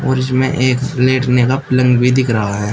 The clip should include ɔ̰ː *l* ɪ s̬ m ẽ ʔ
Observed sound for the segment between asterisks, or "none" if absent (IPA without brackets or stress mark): ɾ